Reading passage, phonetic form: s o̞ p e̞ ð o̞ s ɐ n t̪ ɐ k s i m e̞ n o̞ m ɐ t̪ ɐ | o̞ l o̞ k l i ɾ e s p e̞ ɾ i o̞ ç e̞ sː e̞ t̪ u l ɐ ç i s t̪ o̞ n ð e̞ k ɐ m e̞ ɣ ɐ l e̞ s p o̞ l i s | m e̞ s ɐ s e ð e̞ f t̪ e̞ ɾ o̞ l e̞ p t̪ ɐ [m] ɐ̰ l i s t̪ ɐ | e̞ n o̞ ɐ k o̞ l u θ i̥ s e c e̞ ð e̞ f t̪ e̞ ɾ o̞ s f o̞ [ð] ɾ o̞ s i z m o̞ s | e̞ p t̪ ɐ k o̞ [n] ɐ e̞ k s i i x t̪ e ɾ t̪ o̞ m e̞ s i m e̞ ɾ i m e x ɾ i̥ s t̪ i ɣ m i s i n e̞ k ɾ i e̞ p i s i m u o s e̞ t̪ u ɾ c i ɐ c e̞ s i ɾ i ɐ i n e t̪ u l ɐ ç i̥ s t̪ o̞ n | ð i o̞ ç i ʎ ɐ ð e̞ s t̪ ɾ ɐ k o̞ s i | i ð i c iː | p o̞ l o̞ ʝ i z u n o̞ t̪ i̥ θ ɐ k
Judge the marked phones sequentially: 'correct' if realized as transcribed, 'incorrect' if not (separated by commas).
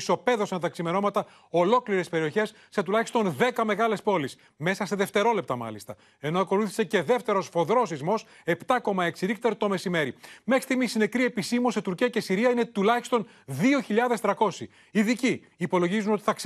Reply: correct, correct, incorrect